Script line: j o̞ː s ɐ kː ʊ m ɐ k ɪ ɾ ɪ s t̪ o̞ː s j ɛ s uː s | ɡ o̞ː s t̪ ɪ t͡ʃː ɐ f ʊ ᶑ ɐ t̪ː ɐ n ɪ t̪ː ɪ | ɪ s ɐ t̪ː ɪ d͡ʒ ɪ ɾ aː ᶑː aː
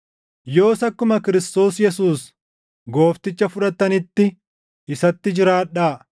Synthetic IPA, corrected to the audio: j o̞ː s ɐ kː ʊ m ɐ k ɪ ɾ ɪ s t̪ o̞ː s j ɛ s uː s | ɡ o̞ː f t̪ ɪ t͡ʃː ɐ f ʊ ᶑ ɐ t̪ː ɐ n ɪ t̪ː ɪ | ɪ s ɐ t̪ː ɪ d͡ʒ ɪ ɾ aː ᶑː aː

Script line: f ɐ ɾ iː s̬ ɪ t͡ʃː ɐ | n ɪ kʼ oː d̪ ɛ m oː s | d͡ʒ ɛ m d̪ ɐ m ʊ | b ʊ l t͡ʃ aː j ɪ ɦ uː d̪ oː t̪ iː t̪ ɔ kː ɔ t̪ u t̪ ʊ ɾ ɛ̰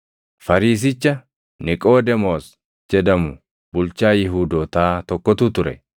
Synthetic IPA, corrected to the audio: f ɐ ɾ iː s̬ ɪ t͡ʃː ɐ | n ɪ kʼ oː d̪ ɛ m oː s | d͡ʒ ɛ d̪ ɐ m ʊ | b ʊ l t͡ʃ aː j ɪ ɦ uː d̪ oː t̪ aː t̪ ɔ kː ɔ t̪ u t̪ ʊ ɾ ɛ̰

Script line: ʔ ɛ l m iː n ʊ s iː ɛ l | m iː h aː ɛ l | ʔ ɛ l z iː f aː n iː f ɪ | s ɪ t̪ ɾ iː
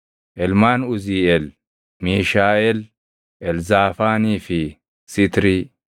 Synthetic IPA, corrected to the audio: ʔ ɛ l m aː n ʊ z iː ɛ l | m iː ʃ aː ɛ l | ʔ ɛ l z aː f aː n iː f ɪ | s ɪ t̪ ɾ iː

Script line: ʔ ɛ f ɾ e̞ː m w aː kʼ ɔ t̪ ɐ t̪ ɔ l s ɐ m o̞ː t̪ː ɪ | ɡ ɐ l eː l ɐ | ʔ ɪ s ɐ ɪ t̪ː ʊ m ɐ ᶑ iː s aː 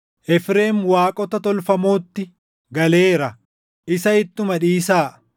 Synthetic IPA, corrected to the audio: ʔ ɛ f ɾ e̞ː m w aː kʼ ɔ t̪ ɐ t̪ ɔ l f ɐ m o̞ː t̪ː ɪ | ɡ ɐ l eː ɾ ɐ | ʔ ɪ s ɐ ɪ t̪ː ʊ m ɐ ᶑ iː s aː

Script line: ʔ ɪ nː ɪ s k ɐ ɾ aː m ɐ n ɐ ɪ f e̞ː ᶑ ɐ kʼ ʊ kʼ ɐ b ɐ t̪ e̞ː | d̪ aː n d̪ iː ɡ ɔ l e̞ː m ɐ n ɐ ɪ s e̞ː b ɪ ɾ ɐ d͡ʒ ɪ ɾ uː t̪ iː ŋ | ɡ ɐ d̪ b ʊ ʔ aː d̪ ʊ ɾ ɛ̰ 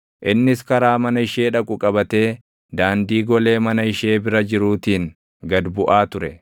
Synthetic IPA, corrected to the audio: ʔ ɪ nː ɪ s k ɐ ɾ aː m ɐ n ɐ ɪ ʃ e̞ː ᶑ ɐ kʼ ʊ kʼ ɐ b ɐ t̪ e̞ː | d̪ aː n d̪ iː ɡ ɔ l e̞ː m ɐ n ɐ ɪ ʃ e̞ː b ɪ ɾ ɐ d͡ʒ ɪ ɾ uː t̪ iː ŋ | ɡ ɐ d̪ b ʊ ʔ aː t̪ ʊ ɾ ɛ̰

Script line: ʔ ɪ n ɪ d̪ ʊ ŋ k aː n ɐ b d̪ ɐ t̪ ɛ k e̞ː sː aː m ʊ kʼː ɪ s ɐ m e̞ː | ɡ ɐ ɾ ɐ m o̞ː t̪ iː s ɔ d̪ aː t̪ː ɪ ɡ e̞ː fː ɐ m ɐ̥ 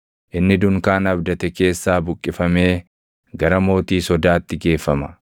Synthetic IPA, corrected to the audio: ʔ ɪ nː ɪ d̪ ʊ ŋ k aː n ɐ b d̪ ɐ t̪ ɛ k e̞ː sː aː b ʊ kʼː ɪ f ɐ m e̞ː | ɡ ɐ ɾ ɐ m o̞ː t̪ iː s ɔ d̪ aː t̪ː ɪ ɡ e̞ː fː ɐ m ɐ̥

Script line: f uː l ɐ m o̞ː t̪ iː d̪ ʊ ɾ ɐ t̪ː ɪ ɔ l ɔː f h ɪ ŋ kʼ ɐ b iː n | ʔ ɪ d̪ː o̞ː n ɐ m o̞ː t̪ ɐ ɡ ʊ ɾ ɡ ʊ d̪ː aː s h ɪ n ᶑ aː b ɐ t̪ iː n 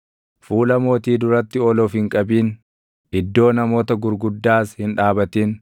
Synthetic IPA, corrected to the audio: f uː l ɐ m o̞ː t̪ iː d̪ ʊ ɾ ɐ t̪ː ɪ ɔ l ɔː f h ɪ ŋ kʼ ɐ b iː n | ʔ ɪ d̪ː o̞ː n ɐ m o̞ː t̪ ɐ ɡ ʊ ɾ ɡ ʊ d̪ː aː s h ɪ n ᶑ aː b ɐ t̪ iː n

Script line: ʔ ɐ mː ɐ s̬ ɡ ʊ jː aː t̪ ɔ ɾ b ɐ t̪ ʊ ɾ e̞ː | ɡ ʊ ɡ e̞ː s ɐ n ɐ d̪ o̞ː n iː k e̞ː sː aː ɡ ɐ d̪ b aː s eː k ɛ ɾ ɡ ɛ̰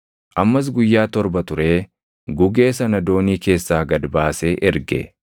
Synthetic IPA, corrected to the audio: ʔ ɐ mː ɐ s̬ ɡ ʊ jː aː t̪ ɔ ɾ b ɐ t̪ ʊ ɾ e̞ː | ɡ ʊ ɡ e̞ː s ɐ n ɐ d̪ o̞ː n iː k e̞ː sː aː ɡ ɐ d̪ b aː s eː ʔ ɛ ɾ ɡ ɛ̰

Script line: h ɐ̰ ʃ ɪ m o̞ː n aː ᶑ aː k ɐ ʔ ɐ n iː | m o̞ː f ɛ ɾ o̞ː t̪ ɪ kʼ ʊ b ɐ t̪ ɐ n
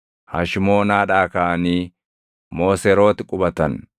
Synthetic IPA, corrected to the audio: h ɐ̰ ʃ ɪ m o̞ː n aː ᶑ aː k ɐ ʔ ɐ n iː | m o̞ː s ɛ ɾ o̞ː t̪ ɪ kʼ ʊ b ɐ t̪ ɐ n

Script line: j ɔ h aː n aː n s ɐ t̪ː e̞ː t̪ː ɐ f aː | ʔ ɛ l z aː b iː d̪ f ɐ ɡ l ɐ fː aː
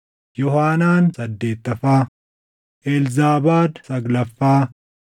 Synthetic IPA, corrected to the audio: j ɔ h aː n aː n s ɐ d̪ː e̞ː t̪ː ɐ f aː | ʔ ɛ l z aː b aː d̪ s ɐ ɡ l ɐ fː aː

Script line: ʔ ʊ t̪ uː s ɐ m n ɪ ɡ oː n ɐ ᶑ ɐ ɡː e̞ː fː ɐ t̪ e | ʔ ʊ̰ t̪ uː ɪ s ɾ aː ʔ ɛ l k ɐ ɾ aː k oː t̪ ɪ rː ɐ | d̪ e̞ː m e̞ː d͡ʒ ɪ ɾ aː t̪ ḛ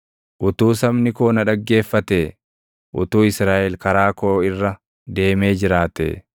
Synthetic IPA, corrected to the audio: ʔ ʊ t̪ uː s ɐ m n ɪ k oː n ɐ ᶑ ɐ ɡː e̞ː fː ɐ t̪ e | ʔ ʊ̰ t̪ uː ɪ s ɾ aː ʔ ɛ l k ɐ ɾ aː k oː ɪ rː ɐ | d̪ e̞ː m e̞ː d͡ʒ ɪ ɾ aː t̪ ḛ

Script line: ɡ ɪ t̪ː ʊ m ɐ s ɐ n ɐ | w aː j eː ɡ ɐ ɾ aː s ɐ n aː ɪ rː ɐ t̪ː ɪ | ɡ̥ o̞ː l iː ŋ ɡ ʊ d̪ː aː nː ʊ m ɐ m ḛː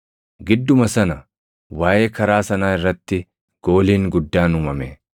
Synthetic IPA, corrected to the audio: ɡ ɪ d̪ː ʊ m ɐ s ɐ n ɐ | w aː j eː k ɐ ɾ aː s ɐ n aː ɪ rː ɐ t̪ː ɪ | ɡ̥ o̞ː l iː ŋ ɡ ʊ d̪ː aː n ʊ m ɐ m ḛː

